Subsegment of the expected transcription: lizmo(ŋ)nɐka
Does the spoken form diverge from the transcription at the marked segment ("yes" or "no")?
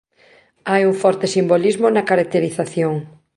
yes